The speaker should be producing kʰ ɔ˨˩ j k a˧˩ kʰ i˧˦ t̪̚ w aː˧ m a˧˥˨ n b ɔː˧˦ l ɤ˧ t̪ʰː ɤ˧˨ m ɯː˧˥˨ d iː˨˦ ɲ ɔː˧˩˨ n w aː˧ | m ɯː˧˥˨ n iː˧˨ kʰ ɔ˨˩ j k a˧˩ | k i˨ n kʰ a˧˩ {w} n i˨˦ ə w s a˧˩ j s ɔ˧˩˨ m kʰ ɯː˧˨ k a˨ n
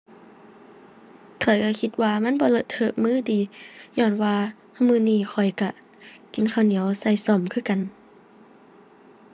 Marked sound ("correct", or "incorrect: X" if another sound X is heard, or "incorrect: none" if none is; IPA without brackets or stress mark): correct